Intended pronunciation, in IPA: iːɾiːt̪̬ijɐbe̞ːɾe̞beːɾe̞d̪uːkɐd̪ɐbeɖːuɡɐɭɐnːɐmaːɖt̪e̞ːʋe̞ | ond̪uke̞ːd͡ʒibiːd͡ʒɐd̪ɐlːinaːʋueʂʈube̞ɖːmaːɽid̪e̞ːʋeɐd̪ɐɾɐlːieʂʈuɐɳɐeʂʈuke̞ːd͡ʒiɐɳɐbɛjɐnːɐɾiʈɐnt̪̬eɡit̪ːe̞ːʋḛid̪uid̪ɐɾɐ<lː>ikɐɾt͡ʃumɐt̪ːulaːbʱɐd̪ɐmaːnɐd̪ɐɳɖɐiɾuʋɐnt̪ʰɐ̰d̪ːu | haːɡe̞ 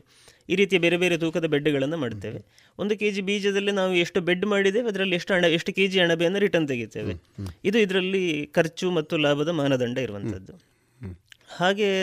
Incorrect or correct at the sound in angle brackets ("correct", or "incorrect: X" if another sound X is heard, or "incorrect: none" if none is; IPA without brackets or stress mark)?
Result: correct